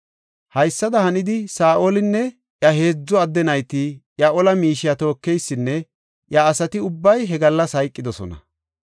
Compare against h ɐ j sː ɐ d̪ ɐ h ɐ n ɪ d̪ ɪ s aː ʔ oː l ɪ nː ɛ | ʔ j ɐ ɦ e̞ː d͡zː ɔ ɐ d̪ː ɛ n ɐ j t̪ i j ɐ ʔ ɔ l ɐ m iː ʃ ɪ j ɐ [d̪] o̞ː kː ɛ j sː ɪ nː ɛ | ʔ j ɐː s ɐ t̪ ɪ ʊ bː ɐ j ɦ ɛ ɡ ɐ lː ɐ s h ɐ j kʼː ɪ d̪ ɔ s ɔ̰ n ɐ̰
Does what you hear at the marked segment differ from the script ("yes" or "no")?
yes